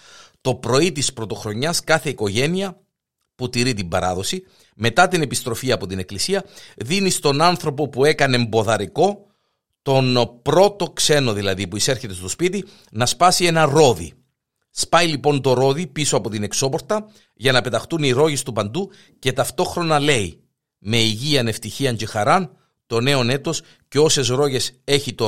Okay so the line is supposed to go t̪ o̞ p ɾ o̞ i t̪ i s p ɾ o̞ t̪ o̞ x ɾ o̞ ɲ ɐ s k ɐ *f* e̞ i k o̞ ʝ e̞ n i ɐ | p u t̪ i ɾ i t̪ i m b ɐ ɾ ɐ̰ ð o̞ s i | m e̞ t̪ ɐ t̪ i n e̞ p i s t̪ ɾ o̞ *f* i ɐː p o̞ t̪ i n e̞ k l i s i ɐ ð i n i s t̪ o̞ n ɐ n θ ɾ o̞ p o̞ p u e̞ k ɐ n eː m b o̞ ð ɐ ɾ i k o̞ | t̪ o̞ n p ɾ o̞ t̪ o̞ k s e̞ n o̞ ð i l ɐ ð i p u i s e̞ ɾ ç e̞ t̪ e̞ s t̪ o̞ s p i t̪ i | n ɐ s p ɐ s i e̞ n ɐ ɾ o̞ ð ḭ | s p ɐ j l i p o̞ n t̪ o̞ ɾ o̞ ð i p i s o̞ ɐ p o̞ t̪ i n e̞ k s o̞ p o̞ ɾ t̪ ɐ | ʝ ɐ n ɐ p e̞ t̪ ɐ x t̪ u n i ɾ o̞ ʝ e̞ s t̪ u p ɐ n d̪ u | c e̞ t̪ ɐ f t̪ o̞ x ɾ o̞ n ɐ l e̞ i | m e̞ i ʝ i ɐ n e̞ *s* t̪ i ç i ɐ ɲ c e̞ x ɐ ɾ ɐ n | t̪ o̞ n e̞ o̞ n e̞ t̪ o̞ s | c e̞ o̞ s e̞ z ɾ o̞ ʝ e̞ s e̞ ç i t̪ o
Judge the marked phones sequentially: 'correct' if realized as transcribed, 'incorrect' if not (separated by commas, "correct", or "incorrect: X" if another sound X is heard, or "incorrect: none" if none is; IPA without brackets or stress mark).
incorrect: θ, correct, incorrect: f